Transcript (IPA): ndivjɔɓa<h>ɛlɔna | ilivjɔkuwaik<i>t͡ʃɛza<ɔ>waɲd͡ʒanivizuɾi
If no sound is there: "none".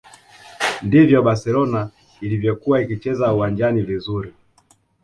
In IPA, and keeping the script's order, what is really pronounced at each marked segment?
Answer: s, i, u

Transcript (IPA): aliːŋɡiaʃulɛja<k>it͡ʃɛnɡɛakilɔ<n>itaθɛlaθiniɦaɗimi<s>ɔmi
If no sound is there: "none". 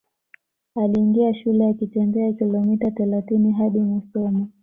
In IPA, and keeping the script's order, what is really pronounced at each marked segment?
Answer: k, m, s

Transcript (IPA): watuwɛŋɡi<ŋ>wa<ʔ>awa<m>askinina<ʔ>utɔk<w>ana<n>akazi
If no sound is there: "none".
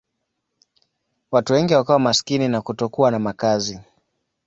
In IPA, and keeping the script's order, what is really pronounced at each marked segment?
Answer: none, k, m, k, u, m

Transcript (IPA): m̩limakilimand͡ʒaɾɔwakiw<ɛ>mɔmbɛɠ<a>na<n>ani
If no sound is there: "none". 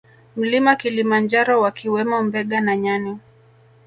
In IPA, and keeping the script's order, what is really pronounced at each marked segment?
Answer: ɛ, a, ɲ

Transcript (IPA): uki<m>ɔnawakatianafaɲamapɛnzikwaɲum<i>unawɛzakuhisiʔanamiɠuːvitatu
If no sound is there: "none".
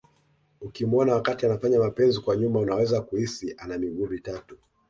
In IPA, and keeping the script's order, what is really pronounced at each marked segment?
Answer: m, a

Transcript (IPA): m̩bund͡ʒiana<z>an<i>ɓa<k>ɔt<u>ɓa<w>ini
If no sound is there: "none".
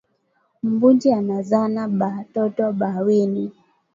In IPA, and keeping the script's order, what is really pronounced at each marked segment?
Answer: z, a, t, ɔ, w

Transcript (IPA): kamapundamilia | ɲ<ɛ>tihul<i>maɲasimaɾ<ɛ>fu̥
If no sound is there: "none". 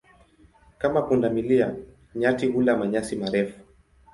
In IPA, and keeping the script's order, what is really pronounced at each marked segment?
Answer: a, a, ɛ

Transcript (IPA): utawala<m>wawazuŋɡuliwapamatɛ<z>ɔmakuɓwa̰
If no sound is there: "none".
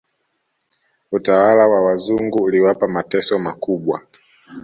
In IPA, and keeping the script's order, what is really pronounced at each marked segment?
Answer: none, s

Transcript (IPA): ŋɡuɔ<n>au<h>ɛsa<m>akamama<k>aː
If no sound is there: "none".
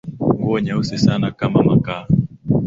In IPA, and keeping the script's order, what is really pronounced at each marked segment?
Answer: ɲ, s, n, k

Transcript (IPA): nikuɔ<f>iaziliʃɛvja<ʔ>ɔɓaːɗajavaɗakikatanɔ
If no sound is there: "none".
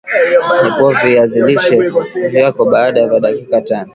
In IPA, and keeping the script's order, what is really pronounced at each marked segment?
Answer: v, k

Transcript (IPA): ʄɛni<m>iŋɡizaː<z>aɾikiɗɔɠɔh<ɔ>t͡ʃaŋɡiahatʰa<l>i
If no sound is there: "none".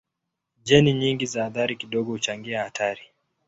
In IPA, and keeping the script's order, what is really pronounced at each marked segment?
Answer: ɲ, ð, u, ɾ

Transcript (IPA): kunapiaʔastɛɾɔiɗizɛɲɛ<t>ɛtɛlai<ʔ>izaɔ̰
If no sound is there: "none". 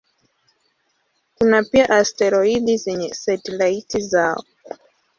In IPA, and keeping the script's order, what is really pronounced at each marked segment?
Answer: s, t

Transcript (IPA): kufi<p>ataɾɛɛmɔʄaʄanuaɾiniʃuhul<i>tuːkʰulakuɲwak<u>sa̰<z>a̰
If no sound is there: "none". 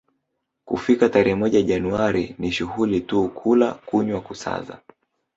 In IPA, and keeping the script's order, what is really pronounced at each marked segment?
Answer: k, i, u, z

